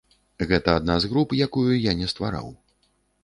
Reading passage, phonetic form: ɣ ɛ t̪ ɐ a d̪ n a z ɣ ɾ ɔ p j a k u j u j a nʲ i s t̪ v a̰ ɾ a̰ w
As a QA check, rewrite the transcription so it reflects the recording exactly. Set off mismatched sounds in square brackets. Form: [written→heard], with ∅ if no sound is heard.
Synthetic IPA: ɣ ɛ t̪ ɐ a d̪ n a z ɣ ɾ [ɔ→u] p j a k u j u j a nʲ [i→ɛ] s t̪ v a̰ ɾ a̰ w